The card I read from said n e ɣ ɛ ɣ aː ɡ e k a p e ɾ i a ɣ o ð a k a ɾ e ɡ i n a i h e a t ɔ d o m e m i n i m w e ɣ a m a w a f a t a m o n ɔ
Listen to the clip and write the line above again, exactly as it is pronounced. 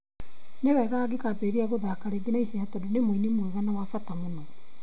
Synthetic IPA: n e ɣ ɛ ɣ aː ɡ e k a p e ɾ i a ɣ o ð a k a ɾ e ɡ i n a i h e a t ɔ d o n e m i n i m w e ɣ a n a w a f a t a m o n ɔ